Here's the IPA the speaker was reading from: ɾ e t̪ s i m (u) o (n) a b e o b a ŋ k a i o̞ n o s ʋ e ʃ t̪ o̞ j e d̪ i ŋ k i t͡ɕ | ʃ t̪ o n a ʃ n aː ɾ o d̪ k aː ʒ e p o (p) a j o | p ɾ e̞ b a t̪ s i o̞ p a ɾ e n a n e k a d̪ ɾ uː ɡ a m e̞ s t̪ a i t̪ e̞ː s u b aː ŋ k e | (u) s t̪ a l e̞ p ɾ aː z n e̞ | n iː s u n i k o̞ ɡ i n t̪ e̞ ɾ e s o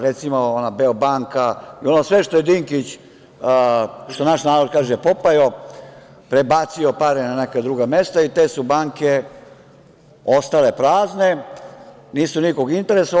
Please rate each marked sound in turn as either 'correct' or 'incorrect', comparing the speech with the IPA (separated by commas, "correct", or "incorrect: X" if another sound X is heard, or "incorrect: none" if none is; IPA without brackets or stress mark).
incorrect: o, correct, correct, incorrect: o